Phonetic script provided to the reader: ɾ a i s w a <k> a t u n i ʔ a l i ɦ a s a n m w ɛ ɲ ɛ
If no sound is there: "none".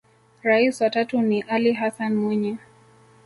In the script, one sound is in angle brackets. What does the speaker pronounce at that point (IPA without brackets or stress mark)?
t